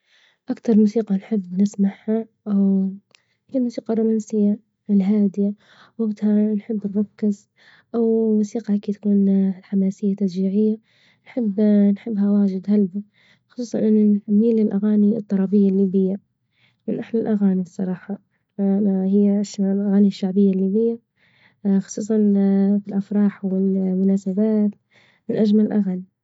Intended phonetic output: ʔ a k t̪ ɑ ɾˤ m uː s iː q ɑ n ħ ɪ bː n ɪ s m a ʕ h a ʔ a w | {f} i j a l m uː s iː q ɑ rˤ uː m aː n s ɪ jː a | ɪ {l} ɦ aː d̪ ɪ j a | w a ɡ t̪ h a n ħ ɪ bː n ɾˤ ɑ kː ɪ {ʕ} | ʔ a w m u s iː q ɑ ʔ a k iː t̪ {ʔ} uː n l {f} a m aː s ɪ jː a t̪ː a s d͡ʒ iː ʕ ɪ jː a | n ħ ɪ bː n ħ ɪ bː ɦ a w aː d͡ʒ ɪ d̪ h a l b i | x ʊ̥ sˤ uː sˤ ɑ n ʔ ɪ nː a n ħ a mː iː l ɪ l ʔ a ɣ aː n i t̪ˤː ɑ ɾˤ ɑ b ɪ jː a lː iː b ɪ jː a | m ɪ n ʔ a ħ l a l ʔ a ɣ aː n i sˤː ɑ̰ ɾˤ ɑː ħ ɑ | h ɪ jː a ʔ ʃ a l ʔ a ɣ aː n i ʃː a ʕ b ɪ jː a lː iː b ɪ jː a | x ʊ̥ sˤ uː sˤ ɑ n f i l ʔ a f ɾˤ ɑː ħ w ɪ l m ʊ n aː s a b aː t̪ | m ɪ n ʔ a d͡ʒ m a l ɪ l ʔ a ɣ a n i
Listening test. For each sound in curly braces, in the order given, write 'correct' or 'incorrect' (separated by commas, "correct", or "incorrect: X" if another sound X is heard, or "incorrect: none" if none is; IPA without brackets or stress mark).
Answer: incorrect: h, correct, incorrect: z, incorrect: k, incorrect: ħ